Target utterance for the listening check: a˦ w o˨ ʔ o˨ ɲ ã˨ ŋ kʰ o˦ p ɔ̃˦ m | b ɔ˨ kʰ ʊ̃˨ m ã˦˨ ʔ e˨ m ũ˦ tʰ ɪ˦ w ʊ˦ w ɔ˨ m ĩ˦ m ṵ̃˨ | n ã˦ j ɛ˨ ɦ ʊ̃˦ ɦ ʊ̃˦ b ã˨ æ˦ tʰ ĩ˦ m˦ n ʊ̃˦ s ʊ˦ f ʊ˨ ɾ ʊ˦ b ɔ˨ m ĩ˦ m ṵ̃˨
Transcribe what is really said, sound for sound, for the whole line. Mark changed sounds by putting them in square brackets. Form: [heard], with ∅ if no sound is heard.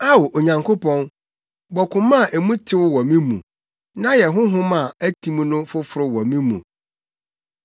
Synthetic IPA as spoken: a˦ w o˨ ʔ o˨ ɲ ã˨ ŋ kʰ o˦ p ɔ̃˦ [n] | b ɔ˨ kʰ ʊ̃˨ m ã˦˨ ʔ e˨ m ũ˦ tʰ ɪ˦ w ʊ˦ w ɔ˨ m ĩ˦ m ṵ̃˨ | n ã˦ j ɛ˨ ɦ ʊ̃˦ ɦ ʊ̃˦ [m] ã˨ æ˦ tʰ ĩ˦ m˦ n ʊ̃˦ [f] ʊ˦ f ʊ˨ ɾ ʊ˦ [w] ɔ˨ m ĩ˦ m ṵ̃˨